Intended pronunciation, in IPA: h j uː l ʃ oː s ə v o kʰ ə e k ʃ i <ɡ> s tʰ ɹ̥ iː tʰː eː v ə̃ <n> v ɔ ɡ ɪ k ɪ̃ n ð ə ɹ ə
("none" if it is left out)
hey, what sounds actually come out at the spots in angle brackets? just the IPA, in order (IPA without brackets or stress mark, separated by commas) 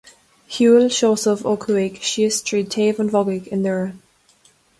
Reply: none, n